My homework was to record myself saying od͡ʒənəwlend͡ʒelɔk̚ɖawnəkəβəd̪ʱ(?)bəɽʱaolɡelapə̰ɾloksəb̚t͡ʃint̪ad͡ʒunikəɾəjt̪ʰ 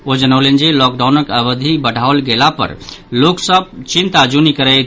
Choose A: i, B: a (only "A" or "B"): A